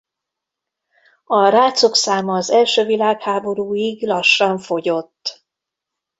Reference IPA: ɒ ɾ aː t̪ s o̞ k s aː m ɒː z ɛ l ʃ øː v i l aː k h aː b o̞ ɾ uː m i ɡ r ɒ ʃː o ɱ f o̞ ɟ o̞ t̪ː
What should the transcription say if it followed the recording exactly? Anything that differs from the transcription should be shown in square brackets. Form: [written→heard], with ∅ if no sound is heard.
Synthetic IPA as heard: ɒ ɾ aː t̪ s o̞ k s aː m ɒː z ɛ l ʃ øː v i l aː k h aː b o̞ ɾ uː [m→∅] i ɡ [r→l] ɒ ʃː [o→ɒ] ɱ f o̞ ɟ o̞ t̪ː